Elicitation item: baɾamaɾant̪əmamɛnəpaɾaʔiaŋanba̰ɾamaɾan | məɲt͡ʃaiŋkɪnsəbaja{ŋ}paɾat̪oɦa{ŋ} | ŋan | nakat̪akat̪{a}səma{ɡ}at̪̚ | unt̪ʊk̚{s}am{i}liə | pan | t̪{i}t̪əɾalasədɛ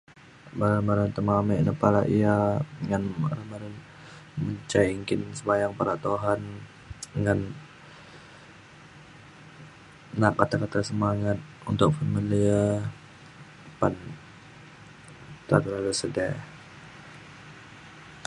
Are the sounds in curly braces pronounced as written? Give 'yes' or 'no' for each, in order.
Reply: yes, no, yes, no, no, yes, no

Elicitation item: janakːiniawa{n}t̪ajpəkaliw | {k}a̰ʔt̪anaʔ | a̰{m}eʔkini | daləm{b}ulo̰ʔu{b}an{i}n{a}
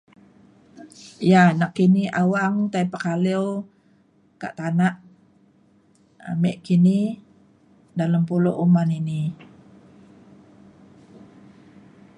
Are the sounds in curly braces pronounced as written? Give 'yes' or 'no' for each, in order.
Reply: no, yes, yes, no, no, yes, no

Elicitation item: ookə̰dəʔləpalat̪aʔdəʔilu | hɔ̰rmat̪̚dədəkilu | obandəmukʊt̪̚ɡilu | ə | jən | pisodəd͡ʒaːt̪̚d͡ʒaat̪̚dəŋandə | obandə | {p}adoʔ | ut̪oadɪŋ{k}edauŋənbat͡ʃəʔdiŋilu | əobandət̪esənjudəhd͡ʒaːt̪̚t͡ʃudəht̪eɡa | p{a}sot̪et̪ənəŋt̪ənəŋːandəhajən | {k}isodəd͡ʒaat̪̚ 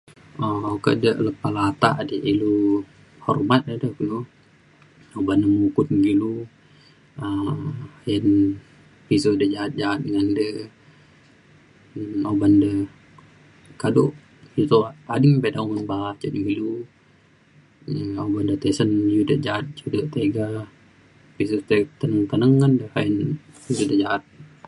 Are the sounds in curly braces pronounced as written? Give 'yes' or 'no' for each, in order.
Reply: no, no, no, no

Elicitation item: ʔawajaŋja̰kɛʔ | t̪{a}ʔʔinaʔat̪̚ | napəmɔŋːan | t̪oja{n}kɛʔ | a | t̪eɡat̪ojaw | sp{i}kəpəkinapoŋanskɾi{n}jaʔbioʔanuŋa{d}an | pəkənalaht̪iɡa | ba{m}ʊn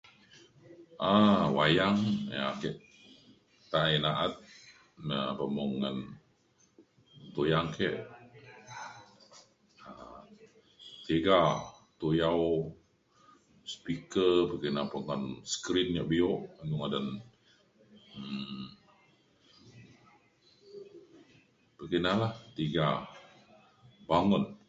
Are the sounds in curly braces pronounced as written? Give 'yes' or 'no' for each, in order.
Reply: yes, no, yes, yes, yes, no

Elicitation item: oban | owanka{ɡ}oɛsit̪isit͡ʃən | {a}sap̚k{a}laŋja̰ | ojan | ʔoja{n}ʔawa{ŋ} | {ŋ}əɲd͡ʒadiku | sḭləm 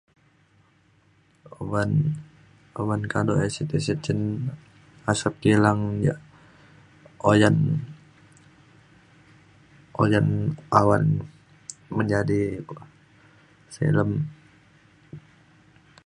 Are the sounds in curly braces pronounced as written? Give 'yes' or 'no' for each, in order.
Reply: no, yes, no, yes, no, no

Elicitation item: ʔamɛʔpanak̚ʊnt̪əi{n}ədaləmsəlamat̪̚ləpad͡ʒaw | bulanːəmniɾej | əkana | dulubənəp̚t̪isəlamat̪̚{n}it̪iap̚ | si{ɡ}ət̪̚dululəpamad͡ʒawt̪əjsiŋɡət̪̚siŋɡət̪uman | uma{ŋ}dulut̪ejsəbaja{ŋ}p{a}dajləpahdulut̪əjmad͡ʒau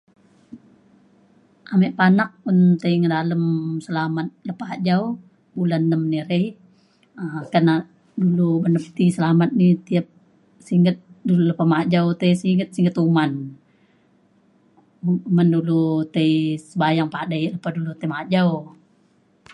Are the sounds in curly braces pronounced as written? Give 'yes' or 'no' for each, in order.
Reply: no, yes, no, no, yes, yes

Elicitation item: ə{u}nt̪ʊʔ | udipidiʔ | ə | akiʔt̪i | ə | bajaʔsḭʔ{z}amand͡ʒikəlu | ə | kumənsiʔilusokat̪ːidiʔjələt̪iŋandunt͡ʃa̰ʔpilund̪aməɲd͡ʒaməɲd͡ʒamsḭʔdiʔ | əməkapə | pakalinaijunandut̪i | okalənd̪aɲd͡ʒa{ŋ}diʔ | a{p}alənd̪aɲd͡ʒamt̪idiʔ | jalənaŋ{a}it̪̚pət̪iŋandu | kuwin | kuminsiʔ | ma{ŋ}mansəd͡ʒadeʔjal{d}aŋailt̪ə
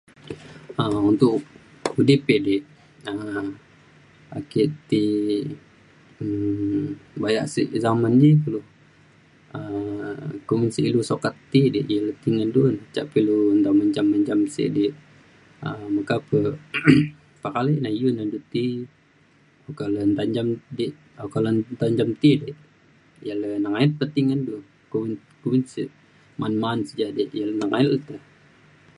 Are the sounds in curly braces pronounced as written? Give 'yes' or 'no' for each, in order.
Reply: yes, yes, no, no, yes, no, no

